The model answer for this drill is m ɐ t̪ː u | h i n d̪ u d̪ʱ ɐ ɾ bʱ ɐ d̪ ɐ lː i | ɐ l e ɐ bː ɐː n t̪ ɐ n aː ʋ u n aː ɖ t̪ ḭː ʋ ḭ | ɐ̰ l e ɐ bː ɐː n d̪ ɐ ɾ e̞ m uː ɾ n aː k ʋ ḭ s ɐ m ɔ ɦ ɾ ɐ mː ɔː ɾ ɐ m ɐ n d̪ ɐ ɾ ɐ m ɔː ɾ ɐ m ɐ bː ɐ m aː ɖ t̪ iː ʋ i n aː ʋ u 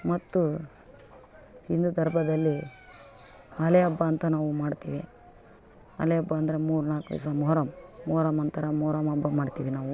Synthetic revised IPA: m ɐ t̪ː u | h i n d̪ u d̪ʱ ɐ ɾ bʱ ɐ d̪ ɐ lː i | ɐ l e ɐ bː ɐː n t̪ ɐ n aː ʋ u m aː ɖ t̪ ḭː ʋ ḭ | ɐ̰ l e ɐ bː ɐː n d̪ ɐ ɾ e̞ m uː ɾ n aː k ʋ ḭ s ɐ m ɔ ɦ ɾ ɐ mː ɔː ɾ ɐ m ɐ n t̪ ɐ ɾ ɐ m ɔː ɾ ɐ m ɐ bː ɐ m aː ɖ t̪ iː ʋ i n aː ʋ u